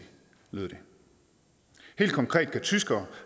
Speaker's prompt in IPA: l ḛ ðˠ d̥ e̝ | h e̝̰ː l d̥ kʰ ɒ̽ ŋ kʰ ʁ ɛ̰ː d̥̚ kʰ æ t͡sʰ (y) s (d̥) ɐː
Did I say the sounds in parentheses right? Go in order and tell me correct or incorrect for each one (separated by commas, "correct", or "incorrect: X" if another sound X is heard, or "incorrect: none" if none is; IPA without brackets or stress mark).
correct, incorrect: ɡ̥